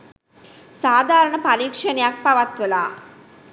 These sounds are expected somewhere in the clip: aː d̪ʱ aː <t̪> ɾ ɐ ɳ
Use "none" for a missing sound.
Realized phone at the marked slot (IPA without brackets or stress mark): none